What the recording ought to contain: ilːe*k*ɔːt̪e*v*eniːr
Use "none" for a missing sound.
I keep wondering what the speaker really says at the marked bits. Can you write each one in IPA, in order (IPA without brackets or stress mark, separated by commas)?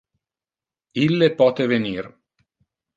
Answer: p, v